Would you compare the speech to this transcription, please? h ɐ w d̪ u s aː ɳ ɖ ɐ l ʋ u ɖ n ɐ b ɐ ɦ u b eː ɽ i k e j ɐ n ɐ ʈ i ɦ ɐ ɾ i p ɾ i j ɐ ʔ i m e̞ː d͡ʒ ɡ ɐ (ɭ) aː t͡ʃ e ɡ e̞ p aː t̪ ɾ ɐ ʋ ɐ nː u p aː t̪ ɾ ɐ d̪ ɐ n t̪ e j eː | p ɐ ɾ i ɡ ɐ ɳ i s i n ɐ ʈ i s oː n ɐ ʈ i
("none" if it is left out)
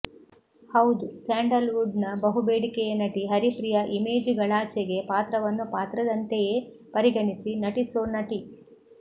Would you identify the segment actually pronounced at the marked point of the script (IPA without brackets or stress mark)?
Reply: ɭ